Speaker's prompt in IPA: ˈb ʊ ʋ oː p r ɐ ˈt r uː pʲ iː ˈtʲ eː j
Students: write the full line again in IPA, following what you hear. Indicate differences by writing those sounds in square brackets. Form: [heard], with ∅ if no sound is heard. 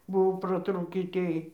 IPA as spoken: ˈb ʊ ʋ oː p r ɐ ˈt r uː [kʲ] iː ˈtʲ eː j